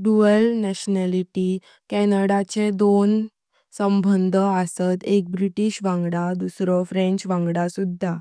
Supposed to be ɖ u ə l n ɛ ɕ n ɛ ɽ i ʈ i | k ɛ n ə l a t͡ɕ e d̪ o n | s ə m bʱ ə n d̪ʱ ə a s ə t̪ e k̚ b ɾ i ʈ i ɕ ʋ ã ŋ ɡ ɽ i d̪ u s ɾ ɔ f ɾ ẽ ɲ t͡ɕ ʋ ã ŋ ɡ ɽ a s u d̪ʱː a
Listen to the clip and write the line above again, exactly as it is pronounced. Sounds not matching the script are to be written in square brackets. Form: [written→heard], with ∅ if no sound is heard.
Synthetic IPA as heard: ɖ u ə l n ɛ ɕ n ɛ [ɽ→l] i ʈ i | k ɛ n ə [l→ɽ] a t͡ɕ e d̪ o n | s ə m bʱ ə n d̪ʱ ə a s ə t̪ e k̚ b ɾ i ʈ i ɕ ʋ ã ŋ ɡ ɽ [i→a] d̪ u s ɾ ɔ f ɾ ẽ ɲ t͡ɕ ʋ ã ŋ ɡ ɽ a s u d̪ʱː a